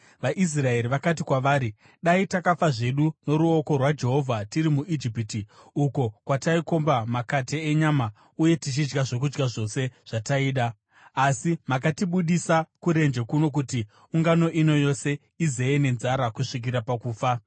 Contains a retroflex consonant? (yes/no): yes